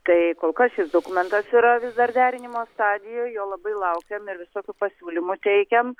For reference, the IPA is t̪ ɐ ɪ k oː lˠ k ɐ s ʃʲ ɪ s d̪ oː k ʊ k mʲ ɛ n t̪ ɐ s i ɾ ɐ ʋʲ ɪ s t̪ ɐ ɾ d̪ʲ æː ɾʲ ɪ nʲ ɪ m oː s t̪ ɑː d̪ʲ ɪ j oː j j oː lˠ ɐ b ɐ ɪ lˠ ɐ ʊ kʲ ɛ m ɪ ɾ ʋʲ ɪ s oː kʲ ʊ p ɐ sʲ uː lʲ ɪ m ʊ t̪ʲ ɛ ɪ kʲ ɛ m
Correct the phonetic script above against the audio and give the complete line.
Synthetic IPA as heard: t̪ ɐ ɪ k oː lˠ k ɐ s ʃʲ ɪ s d̪ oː k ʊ mʲ ɛ n t̪ ɐ s i ɾ ɐ ʋʲ ɪ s d̪ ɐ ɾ d̪ʲ æː ɾʲ ɪ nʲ ɪ m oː s t̪ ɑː d̪ʲ ɪ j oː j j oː lˠ ɐ b ɐ ɪ lˠ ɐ ʊ kʲ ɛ m ɪ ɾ ʋʲ ɪ s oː kʲ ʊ p ɐ sʲ uː lʲ ɪ m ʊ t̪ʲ ɛ ɪ kʲ ɛ m